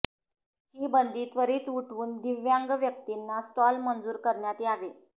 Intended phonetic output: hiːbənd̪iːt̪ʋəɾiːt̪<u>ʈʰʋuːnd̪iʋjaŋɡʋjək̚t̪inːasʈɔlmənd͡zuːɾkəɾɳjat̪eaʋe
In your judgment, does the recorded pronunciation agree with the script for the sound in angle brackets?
yes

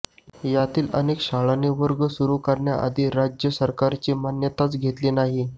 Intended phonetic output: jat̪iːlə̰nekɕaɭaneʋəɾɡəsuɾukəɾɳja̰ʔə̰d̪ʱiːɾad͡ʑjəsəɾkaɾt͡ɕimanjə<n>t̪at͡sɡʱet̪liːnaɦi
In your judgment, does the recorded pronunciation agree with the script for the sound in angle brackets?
no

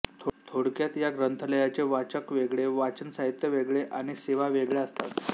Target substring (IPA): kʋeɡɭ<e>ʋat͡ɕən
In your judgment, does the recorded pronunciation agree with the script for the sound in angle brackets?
yes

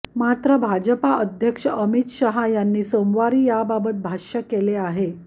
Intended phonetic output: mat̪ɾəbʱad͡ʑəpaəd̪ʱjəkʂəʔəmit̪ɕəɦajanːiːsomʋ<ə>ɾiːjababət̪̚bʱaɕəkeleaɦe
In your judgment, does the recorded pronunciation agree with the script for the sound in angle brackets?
no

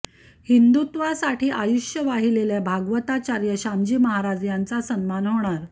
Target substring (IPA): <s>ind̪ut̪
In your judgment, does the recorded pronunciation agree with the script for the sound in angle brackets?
no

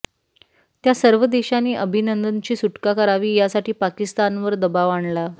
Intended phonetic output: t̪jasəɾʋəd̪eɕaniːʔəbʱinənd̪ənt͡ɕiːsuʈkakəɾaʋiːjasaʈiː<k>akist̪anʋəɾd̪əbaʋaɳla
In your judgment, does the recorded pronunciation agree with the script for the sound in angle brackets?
no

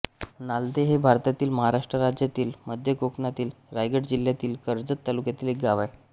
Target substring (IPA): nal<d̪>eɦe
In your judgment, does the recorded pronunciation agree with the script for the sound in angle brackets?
yes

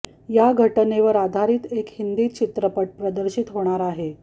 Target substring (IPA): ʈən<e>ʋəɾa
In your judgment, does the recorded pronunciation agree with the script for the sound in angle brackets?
yes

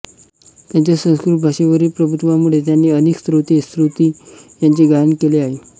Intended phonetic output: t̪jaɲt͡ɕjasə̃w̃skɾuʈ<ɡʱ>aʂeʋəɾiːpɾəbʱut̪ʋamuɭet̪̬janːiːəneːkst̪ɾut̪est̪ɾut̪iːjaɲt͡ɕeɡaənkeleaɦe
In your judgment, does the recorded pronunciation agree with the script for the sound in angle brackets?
no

